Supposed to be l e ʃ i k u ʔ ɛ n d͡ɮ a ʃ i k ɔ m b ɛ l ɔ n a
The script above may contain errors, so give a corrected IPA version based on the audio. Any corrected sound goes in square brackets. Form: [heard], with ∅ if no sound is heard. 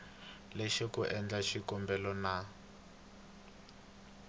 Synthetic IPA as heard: l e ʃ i k u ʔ ɛ n d͡ɮ a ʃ i k ɔ m b ɛ l ɔ n a